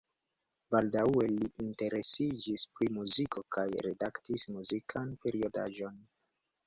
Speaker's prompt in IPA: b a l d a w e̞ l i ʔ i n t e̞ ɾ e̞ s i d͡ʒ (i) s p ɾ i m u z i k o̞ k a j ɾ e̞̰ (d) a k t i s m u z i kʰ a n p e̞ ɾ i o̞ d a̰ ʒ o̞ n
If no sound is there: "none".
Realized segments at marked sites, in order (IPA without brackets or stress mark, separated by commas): i, d